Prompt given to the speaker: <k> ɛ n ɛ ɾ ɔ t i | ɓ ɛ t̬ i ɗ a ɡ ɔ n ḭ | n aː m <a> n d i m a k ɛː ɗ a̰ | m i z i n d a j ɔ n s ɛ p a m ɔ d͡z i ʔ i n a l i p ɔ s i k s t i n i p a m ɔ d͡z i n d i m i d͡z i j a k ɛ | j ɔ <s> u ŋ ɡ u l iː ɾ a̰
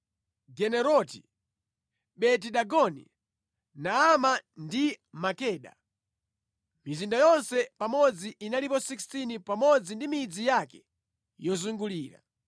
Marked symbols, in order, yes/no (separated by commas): no, yes, no